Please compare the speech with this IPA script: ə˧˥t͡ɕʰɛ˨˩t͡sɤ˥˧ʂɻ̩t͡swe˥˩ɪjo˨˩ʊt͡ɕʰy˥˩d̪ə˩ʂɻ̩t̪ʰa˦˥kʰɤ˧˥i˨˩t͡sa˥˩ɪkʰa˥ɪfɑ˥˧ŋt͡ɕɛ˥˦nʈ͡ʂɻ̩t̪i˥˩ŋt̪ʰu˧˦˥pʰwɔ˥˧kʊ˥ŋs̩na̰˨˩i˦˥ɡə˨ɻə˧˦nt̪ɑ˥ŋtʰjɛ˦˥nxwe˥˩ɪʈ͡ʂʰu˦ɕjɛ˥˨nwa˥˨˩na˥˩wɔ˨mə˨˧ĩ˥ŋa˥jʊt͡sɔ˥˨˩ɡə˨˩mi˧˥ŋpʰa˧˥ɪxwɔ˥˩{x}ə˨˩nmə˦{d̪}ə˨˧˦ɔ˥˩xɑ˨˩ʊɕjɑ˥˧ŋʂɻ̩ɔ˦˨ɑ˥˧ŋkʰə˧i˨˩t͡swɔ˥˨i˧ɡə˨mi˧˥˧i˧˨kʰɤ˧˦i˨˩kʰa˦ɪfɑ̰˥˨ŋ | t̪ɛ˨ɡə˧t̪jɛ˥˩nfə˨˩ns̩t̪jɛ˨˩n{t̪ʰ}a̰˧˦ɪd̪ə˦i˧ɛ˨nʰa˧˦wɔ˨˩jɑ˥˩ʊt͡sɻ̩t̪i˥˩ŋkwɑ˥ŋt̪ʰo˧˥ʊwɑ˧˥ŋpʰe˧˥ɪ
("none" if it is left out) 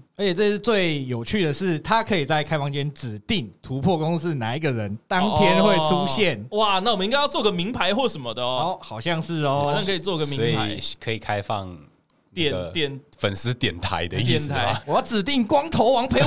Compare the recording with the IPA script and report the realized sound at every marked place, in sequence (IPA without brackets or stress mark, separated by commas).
ʂ, d̪, t̪ʰ